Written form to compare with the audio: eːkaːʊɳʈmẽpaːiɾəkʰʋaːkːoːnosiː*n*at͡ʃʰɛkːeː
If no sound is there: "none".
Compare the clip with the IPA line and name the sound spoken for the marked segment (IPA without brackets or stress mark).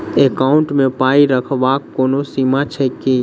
m